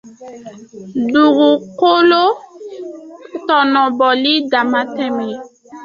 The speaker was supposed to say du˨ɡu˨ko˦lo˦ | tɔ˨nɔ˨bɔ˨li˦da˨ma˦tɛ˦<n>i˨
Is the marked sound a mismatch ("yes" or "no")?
yes